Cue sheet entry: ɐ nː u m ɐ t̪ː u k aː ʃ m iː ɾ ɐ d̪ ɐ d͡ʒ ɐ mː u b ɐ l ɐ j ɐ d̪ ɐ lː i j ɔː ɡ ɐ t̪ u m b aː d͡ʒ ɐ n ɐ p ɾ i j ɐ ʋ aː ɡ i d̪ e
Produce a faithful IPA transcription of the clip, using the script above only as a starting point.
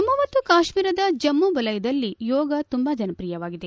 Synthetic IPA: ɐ mː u m ɐ t̪ː u k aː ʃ m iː ɾ ɐ d̪ ɐ d͡ʒ ɐ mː u b ɐ l ɐ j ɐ d̪ ɐ lː i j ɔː ɡ ɐ t̪ u m b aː d͡ʒ ɐ n ɐ p ɾ i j ɐ ʋ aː ɡ i d̪ e